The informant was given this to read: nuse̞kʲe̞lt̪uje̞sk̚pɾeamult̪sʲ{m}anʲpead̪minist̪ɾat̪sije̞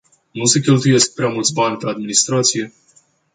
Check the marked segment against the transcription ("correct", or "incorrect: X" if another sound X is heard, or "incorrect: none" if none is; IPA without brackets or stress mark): incorrect: b